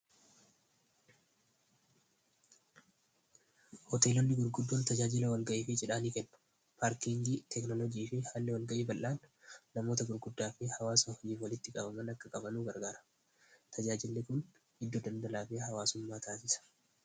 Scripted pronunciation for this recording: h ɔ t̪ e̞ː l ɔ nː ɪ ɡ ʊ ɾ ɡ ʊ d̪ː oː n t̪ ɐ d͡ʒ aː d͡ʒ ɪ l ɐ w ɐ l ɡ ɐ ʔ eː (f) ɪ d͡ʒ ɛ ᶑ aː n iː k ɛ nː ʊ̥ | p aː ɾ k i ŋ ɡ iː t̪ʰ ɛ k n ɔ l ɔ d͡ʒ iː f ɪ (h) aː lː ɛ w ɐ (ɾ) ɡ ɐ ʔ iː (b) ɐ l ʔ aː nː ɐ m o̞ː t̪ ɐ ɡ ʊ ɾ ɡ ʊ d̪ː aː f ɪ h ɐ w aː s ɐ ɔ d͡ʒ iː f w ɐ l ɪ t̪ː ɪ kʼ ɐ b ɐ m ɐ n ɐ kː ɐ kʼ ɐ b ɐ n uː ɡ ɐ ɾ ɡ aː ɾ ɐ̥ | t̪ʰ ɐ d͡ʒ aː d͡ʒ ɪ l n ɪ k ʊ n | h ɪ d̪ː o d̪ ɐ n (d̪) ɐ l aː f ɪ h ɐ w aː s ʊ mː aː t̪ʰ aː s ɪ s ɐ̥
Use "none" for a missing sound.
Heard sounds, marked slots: f, h, l, b, d̪

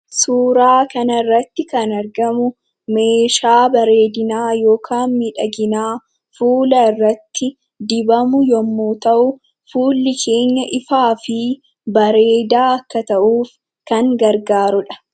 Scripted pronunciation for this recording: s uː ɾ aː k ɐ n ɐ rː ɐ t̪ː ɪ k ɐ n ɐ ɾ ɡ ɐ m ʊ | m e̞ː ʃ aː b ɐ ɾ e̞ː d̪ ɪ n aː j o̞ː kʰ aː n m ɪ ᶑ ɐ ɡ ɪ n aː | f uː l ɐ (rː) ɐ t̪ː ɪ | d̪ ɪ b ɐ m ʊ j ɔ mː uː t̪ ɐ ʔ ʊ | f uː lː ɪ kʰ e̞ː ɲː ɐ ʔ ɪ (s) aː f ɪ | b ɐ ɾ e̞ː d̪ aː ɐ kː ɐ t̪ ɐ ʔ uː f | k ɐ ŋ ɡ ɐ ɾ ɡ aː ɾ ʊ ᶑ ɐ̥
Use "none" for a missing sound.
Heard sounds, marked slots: rː, f

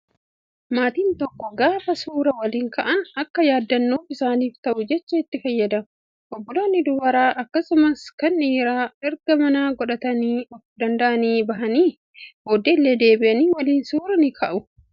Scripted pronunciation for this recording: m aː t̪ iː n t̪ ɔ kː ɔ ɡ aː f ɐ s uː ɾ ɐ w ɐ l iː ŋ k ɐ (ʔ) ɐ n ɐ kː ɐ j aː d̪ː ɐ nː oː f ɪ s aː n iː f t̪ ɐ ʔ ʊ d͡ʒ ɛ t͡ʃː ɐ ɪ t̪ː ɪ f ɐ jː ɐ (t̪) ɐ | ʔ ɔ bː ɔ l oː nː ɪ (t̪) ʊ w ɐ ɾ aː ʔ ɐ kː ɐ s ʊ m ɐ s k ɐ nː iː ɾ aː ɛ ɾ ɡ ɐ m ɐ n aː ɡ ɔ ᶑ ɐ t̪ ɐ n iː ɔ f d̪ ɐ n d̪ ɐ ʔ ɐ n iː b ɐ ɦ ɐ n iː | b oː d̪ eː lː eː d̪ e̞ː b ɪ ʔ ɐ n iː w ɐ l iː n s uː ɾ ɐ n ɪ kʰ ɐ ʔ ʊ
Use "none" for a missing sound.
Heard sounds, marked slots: ʔ, d̪, d̪

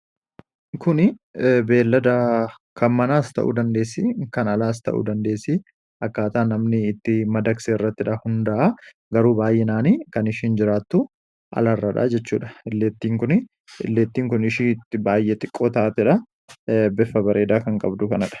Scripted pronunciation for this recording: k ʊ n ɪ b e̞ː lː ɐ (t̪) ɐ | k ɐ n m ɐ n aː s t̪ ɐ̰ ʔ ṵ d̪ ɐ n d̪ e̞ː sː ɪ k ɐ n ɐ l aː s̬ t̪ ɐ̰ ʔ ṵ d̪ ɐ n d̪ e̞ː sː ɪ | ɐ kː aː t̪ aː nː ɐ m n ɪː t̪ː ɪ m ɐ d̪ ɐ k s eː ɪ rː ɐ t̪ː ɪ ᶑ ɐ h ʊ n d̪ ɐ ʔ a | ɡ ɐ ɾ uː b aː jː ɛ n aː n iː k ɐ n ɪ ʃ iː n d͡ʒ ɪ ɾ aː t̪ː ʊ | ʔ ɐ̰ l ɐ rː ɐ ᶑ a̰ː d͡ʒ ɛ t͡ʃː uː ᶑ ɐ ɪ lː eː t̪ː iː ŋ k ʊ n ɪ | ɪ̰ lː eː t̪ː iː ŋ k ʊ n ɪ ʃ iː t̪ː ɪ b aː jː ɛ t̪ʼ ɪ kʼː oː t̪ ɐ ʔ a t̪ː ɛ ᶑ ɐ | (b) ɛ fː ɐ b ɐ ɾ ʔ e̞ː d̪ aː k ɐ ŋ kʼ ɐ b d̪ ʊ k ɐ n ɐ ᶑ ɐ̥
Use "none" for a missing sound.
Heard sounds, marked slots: d̪, b

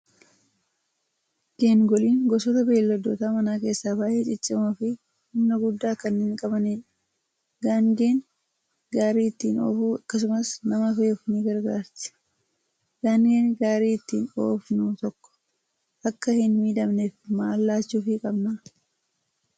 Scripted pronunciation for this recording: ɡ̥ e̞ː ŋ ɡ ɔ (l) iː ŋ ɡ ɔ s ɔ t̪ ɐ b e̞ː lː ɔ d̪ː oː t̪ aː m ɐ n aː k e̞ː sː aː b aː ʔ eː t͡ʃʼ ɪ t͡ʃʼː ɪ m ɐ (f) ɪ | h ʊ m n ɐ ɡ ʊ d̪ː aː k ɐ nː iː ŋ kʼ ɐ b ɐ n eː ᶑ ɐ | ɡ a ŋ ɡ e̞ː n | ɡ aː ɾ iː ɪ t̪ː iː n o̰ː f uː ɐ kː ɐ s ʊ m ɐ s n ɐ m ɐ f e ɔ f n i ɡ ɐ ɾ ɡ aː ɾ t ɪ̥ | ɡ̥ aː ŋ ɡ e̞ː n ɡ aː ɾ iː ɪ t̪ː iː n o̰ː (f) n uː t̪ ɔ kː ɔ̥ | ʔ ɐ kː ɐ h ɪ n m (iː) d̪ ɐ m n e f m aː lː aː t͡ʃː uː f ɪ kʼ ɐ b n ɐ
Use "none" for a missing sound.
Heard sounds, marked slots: l, f, f, iː

